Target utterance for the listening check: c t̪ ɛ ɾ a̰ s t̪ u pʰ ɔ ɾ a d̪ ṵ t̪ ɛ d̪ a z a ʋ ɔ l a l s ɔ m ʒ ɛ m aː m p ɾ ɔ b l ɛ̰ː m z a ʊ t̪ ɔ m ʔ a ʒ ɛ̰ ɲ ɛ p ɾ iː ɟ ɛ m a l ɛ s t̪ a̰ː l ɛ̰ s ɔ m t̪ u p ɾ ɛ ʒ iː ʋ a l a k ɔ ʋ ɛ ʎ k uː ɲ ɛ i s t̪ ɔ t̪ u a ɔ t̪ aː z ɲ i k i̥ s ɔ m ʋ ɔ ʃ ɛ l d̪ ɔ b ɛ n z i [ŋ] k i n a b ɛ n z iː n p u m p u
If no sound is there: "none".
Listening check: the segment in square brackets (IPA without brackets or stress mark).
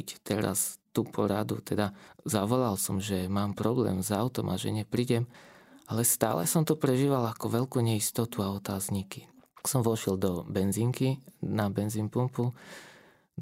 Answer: ŋ